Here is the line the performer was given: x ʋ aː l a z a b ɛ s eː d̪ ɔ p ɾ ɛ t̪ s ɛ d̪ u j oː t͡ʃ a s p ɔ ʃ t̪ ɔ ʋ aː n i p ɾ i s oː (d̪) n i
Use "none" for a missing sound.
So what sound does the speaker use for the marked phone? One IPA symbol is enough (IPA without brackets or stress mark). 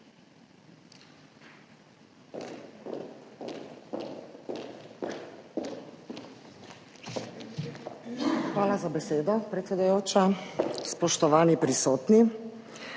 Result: t̪